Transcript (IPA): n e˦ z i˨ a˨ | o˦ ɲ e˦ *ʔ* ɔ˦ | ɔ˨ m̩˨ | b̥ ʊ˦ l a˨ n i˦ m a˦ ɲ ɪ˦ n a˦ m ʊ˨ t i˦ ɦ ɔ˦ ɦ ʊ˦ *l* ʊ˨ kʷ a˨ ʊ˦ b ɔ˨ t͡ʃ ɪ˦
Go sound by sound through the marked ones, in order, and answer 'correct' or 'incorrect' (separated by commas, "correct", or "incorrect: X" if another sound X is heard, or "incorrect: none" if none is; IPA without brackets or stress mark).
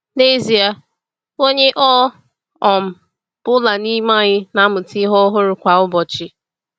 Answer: correct, incorrect: ɾ